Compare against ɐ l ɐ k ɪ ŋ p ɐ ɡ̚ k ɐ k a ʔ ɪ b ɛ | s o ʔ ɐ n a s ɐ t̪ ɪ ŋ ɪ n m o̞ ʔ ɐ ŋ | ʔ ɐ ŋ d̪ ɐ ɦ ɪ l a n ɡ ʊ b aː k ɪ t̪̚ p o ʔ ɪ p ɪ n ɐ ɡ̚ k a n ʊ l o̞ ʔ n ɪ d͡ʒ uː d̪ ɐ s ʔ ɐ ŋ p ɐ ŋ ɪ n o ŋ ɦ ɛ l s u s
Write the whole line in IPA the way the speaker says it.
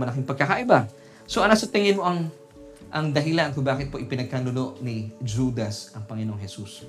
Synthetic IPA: ɐ l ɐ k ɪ ŋ p ɐ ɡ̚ k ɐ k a ʔ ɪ b a | s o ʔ ɐ n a s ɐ t̪ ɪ ŋ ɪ n m o̞ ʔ ɐ ŋ | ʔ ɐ ŋ d̪ ɐ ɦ ɪ l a n k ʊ b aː k ɪ t̪̚ p o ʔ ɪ p ɪ n ɐ ɡ̚ k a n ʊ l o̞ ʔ n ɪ d͡ʒ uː d̪ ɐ s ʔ ɐ ŋ p ɐ ŋ ɪ n o ŋ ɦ ɛ s u s